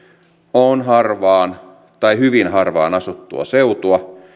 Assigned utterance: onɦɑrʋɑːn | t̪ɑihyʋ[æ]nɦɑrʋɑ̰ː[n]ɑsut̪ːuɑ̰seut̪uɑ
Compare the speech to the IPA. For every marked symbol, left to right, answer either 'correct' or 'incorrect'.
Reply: incorrect, correct

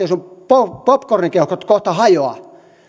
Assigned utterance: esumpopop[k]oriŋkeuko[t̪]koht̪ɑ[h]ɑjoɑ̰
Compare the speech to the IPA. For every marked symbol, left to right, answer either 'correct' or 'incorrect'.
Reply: correct, correct, correct

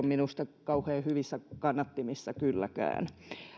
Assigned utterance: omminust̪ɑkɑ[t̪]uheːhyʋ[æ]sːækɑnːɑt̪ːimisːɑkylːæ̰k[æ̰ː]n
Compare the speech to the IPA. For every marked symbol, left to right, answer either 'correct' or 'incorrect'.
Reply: incorrect, incorrect, correct

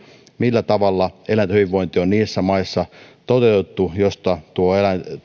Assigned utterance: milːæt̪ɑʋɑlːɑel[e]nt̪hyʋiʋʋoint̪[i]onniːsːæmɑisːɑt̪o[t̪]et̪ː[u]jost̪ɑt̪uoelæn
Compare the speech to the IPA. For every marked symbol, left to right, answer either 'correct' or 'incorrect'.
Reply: incorrect, correct, correct, correct

